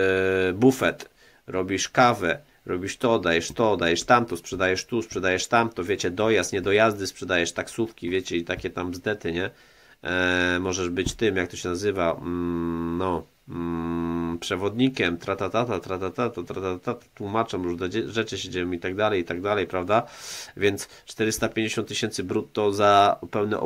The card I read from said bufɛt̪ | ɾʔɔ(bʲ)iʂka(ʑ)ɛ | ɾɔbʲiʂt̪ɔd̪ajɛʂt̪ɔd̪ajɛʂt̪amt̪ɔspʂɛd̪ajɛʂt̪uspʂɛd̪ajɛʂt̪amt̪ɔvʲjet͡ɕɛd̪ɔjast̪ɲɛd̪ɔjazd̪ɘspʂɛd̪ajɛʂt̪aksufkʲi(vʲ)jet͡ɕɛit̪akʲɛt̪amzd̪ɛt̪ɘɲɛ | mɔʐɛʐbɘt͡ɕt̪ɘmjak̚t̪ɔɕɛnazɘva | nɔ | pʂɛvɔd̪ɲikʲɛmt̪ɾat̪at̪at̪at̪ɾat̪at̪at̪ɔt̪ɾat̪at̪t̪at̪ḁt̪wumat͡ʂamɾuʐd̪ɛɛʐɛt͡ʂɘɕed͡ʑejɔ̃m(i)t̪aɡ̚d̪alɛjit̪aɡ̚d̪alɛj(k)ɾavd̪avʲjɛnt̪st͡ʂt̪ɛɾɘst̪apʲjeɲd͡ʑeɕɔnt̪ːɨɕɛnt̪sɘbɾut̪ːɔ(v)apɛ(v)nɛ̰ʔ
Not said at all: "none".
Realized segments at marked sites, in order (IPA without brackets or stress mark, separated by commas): bʲ, v, vʲ, i, p, z, w